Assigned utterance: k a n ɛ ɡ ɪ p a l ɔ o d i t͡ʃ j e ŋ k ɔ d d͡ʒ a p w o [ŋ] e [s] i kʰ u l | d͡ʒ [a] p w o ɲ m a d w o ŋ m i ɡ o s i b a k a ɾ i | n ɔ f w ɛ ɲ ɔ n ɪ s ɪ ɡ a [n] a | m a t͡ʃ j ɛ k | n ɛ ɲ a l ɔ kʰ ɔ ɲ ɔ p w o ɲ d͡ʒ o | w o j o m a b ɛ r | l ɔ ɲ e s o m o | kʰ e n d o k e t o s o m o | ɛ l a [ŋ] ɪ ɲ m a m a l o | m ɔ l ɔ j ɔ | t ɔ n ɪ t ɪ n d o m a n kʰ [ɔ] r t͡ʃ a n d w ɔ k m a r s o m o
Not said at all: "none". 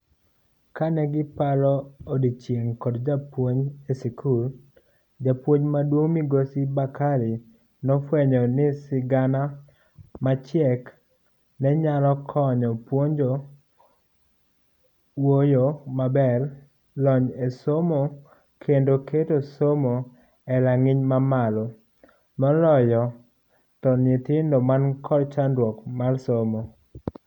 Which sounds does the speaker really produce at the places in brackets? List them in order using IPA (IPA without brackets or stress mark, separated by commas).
ɲ, s, a, n, ŋ, ɔ